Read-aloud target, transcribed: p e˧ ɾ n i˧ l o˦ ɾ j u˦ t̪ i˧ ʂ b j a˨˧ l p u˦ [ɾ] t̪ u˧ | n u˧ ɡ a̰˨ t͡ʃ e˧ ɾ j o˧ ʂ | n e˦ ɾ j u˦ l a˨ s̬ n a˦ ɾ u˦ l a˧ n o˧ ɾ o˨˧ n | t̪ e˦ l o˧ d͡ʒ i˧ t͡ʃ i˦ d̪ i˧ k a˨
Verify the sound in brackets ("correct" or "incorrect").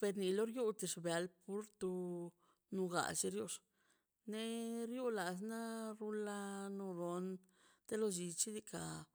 correct